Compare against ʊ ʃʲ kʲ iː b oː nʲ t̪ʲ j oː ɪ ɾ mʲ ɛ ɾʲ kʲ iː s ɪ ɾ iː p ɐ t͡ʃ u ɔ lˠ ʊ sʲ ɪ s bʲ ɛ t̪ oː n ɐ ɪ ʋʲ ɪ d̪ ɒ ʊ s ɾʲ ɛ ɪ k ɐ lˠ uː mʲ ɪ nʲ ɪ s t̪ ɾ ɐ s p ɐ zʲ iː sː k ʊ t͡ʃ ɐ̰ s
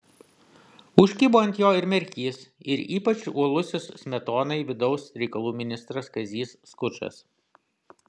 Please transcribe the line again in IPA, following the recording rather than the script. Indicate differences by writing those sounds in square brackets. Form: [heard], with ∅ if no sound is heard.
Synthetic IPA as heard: ʊ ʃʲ kʲ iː b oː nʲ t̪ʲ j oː ɪ ɾ mʲ ɛ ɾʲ kʲ iː s ɪ ɾ iː p ɐ t͡ʃ u ɔ lˠ ʊ sʲ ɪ s [mʲ] ɛ t̪ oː n ɐ ɪ ʋʲ ɪ d̪ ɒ ʊ s ɾʲ ɛ ɪ k ɐ lˠ uː mʲ ɪ nʲ ɪ s t̪ ɾ ɐ s [k] ɐ zʲ iː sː k ʊ t͡ʃ ɐ̰ s